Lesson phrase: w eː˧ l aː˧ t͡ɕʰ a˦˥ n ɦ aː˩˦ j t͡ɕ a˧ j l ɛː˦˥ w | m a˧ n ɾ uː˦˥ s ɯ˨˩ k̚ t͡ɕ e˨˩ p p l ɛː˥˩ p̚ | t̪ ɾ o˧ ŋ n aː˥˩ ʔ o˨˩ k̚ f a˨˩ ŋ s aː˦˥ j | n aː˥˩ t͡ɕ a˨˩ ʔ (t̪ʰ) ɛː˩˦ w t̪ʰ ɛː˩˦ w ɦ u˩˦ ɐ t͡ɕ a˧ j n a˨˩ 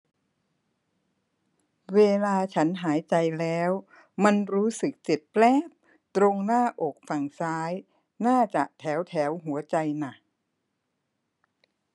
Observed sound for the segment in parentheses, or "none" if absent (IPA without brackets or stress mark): t̪ʰ